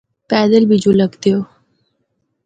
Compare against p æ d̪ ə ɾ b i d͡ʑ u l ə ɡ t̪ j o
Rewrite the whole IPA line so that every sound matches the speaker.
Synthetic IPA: p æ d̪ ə l b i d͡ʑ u l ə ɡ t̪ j o